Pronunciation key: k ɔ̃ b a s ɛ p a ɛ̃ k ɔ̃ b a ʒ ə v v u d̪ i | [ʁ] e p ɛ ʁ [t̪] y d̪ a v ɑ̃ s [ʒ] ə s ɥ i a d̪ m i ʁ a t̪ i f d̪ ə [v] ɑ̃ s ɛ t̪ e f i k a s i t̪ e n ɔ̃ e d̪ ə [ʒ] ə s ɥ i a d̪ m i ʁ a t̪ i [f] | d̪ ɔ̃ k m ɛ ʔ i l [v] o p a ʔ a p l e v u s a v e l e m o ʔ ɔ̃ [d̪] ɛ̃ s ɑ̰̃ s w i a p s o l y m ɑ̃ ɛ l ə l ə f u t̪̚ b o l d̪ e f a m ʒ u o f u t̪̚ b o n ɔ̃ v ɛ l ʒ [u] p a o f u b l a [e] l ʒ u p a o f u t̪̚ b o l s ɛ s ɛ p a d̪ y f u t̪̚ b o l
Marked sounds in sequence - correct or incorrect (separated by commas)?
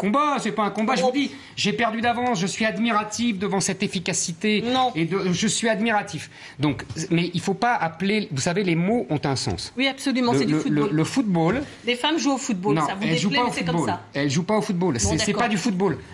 incorrect, incorrect, correct, correct, correct, correct, incorrect, incorrect, correct, incorrect